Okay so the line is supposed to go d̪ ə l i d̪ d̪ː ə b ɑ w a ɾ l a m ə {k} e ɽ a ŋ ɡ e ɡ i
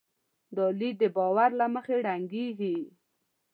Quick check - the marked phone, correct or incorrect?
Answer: incorrect